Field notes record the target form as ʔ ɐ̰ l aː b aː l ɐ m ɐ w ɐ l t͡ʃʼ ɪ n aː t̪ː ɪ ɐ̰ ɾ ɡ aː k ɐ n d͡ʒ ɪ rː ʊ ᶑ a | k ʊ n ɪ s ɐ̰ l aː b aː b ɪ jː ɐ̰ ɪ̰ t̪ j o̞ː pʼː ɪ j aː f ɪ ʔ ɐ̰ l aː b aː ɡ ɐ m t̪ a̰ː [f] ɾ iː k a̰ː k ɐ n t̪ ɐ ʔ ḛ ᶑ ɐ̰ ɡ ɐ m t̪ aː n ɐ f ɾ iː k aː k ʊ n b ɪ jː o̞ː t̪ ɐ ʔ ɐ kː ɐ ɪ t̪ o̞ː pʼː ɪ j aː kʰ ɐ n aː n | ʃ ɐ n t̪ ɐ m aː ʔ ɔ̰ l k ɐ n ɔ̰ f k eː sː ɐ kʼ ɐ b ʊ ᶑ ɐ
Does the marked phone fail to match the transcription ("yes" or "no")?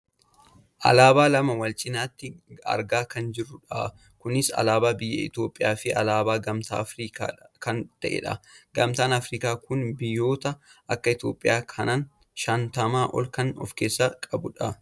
no